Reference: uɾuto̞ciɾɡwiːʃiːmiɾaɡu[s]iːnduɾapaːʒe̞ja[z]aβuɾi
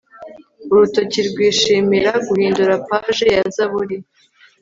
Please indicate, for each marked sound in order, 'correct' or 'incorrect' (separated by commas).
incorrect, correct